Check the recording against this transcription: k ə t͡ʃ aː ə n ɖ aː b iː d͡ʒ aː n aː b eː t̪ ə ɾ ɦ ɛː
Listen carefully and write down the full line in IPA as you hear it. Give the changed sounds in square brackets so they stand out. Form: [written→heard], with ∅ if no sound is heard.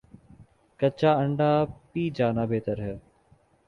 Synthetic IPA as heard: k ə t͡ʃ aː ə [n→ɳ] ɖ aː [b→p] iː d͡ʒ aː n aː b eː t̪ ə ɾ ɦ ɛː